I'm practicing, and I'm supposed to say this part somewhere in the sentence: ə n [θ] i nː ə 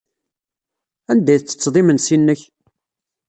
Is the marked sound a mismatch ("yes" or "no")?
yes